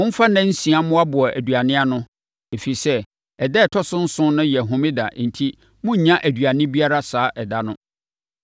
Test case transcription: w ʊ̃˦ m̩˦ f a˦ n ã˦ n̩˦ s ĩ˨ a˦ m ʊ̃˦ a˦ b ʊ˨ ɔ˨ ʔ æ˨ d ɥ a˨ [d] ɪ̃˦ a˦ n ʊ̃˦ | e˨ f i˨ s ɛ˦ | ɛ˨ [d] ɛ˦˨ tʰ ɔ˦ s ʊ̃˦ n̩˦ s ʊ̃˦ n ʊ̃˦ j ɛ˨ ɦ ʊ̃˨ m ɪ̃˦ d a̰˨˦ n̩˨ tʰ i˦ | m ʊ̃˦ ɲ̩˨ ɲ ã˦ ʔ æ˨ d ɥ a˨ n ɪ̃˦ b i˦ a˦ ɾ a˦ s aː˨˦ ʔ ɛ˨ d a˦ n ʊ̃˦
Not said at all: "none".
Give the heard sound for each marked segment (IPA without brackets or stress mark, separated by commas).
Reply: n, d